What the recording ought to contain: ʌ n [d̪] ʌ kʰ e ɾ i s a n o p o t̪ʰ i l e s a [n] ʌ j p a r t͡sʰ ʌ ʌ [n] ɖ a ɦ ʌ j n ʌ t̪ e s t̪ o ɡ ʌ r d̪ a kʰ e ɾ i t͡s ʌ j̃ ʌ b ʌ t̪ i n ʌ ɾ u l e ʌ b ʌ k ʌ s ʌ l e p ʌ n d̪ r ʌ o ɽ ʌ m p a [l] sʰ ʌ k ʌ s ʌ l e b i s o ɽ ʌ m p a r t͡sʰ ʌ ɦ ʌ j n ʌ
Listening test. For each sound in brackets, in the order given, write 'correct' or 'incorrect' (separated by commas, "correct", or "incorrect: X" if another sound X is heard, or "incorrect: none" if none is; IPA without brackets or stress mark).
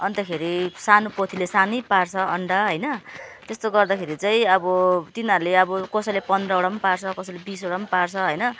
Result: incorrect: t̪, correct, incorrect: ɳ, incorrect: r